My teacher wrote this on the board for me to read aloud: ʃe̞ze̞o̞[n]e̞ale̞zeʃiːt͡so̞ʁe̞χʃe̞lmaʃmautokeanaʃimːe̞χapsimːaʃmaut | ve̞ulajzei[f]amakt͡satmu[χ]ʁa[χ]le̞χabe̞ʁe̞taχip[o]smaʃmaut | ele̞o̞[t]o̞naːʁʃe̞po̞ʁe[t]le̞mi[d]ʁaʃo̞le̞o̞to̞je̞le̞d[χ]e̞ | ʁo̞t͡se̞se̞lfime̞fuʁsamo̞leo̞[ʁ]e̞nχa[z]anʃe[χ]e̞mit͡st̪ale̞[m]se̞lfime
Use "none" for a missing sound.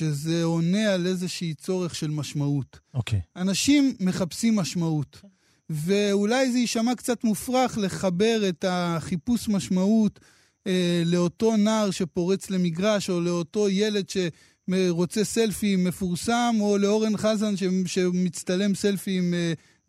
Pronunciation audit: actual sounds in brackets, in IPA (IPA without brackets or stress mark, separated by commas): n, ʃ, f, χ, u, t, t͡s, ɡ, ʃ, ʁ, z, ʃ, m